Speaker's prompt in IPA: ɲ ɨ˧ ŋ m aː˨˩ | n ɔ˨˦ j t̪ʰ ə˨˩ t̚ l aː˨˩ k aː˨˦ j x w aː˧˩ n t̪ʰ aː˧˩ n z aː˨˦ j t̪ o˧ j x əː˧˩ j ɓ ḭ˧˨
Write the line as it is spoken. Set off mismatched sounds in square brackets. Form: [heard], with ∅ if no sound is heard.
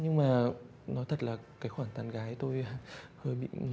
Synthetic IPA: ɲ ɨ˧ ŋ m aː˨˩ | n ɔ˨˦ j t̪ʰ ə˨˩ t̚ l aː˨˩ k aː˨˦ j x w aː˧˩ n [t̪] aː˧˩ n [ɣ] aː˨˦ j t̪ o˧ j [h] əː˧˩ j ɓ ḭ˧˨